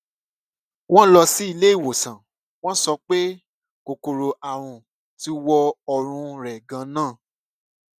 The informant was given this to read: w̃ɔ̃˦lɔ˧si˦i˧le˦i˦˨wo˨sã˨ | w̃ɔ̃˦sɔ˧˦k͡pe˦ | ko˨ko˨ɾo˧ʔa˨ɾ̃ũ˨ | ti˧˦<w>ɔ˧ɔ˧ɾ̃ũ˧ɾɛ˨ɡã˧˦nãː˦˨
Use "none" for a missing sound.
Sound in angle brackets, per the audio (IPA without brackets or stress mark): w